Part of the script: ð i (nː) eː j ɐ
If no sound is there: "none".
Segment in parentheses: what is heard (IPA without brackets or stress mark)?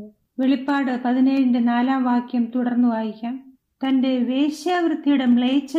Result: n